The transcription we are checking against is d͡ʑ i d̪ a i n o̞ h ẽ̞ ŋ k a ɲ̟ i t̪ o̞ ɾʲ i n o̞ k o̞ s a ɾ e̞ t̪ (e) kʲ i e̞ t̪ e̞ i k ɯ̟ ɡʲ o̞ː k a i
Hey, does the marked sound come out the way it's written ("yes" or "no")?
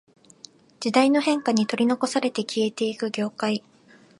yes